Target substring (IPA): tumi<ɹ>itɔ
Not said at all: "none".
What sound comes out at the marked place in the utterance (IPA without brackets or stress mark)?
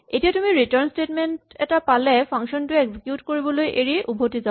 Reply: ɹ